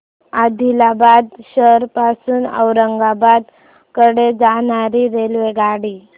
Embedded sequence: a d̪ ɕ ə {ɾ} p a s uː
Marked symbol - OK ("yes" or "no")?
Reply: yes